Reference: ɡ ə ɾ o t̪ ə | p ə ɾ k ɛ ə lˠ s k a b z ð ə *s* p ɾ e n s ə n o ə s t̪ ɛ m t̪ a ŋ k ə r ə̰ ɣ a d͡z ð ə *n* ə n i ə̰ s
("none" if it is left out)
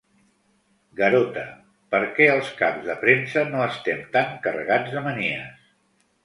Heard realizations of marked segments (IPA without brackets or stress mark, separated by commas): none, m